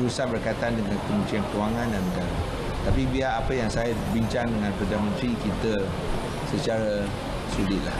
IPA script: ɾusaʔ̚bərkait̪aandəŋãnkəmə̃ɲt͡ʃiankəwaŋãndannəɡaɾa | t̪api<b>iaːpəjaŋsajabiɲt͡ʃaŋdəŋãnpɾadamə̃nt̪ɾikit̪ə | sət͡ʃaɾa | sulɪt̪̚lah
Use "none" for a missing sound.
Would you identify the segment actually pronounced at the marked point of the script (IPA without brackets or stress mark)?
b